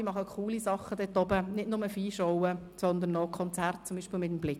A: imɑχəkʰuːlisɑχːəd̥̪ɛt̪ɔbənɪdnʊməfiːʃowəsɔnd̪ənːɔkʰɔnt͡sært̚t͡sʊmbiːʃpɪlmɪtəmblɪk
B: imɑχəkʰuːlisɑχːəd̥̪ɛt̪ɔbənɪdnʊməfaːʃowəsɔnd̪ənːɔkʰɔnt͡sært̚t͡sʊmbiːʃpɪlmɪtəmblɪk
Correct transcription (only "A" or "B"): A